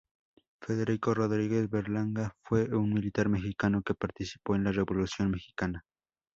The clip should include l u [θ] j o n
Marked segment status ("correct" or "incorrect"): incorrect